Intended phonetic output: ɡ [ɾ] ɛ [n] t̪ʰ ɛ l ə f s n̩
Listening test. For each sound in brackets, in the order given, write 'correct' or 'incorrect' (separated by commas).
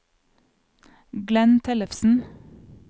incorrect, correct